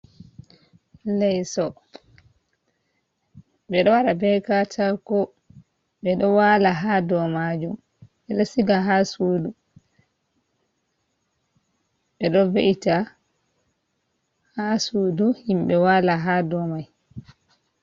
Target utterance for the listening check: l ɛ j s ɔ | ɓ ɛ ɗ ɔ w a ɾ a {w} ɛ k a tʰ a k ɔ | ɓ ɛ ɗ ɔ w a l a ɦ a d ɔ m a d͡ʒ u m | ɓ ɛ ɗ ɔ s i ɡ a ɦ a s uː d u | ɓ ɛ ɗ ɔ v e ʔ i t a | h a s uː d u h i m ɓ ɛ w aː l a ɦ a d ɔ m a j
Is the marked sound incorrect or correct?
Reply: incorrect